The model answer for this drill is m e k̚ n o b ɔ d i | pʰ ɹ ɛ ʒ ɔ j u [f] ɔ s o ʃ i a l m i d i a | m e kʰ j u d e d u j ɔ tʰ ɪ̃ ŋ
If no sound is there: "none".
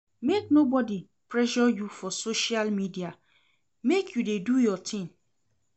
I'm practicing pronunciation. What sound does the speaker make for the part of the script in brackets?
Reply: f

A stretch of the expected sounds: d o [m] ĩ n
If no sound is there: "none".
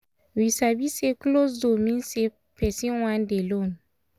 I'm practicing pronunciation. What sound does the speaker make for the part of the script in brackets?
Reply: m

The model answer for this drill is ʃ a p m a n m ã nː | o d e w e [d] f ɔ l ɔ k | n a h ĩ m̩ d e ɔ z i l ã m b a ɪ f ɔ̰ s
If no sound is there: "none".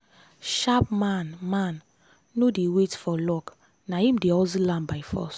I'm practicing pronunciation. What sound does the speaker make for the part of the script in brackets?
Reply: t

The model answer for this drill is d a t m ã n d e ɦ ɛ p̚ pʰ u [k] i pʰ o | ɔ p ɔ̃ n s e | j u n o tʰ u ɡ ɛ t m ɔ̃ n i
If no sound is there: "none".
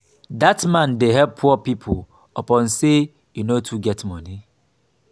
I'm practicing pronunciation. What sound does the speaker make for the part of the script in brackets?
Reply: p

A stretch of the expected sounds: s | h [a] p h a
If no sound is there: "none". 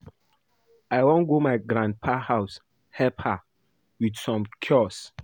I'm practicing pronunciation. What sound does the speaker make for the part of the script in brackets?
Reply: ɛ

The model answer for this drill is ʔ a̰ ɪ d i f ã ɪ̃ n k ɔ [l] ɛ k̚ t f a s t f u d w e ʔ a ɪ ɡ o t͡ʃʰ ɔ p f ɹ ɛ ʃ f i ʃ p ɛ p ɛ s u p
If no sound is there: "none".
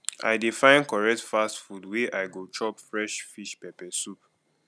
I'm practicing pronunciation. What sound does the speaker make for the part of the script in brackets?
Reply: ɹ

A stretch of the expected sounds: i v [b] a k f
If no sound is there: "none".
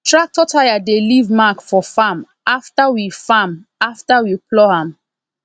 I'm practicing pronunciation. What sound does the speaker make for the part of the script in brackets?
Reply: m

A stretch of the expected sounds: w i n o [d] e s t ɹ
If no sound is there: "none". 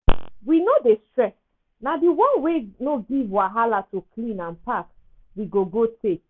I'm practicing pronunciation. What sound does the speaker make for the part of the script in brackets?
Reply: d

